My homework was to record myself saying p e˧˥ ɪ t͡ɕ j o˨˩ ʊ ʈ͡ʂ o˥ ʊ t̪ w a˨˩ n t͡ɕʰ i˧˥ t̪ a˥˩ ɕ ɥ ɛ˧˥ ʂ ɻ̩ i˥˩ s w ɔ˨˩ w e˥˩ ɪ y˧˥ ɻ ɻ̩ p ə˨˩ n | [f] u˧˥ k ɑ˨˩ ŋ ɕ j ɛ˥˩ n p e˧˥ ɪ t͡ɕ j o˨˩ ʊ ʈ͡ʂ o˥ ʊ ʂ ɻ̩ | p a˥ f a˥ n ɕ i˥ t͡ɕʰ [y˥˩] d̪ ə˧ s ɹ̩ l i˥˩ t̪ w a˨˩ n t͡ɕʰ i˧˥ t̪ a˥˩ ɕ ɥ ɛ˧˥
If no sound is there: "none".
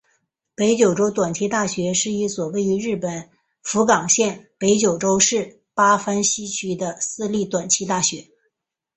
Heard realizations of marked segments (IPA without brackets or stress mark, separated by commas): f, y˥